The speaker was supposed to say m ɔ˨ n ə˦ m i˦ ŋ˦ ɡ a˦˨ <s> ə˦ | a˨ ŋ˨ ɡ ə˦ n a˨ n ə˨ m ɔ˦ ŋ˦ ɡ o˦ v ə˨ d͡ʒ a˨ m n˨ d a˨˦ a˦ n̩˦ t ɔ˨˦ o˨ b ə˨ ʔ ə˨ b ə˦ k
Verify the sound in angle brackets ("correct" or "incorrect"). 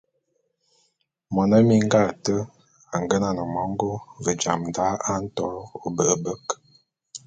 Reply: incorrect